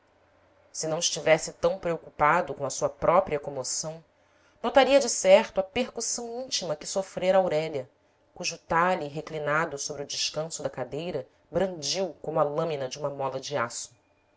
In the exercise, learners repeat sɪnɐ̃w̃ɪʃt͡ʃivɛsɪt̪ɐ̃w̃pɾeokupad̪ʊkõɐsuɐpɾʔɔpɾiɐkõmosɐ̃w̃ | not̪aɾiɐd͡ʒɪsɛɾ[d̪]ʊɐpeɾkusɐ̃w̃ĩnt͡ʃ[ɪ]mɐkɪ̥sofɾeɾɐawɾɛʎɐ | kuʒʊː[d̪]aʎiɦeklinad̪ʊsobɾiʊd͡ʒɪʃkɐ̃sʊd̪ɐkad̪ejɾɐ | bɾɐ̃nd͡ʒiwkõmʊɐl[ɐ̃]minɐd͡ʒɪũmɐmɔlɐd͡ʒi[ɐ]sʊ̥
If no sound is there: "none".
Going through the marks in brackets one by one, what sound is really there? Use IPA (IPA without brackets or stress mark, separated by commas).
t̪, i, t̪, ɐ̃, a